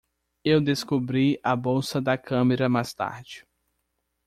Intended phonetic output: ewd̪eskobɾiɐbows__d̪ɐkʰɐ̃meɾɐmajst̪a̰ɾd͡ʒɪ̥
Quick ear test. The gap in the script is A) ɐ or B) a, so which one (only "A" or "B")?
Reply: A